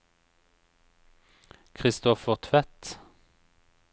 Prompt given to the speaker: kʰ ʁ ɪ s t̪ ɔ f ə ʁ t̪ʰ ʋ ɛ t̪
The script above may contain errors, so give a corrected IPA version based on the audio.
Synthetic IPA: kʰ ʁ ɪ s t̪ ɔ f ə ʁ t̪ʰ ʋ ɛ t̪